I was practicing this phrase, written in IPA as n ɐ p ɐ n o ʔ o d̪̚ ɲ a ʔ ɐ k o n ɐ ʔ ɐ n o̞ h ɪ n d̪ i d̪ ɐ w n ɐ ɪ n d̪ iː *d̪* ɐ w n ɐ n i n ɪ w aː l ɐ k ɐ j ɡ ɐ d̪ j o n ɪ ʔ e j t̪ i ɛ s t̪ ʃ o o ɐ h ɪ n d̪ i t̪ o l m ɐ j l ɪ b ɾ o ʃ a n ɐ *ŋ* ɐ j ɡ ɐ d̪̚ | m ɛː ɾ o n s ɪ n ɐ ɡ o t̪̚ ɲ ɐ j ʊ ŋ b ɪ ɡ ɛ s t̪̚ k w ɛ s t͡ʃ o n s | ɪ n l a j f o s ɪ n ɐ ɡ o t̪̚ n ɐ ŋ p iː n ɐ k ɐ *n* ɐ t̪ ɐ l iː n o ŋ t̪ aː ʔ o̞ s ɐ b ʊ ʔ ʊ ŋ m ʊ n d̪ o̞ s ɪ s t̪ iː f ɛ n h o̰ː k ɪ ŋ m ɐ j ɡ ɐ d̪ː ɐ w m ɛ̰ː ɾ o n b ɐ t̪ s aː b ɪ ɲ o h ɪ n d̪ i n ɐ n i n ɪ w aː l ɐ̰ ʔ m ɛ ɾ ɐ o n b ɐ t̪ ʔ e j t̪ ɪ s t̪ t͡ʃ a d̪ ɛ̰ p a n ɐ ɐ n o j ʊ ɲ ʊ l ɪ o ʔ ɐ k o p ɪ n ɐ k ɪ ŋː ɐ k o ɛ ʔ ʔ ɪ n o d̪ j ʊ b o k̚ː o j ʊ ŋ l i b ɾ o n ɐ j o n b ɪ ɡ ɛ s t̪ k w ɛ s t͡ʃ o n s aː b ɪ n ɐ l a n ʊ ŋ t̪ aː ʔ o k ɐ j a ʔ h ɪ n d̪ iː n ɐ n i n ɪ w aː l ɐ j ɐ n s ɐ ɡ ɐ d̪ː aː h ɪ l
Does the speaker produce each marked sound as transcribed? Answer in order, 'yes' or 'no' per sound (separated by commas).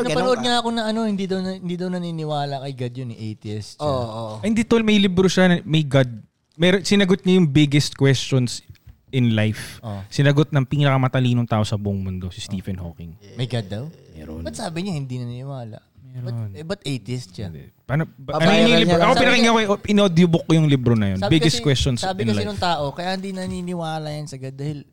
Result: yes, no, no